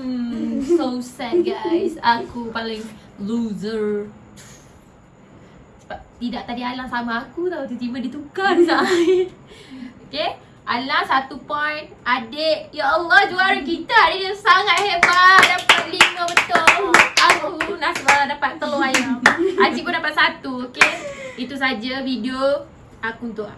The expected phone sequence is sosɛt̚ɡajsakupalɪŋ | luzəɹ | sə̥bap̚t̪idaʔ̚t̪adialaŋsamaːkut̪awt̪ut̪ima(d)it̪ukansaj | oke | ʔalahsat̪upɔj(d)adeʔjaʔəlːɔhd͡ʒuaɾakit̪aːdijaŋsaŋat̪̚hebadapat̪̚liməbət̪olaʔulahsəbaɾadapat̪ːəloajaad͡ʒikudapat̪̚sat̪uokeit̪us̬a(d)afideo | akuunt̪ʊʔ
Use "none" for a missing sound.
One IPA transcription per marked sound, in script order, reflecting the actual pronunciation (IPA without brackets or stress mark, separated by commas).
d, n, d͡ʒ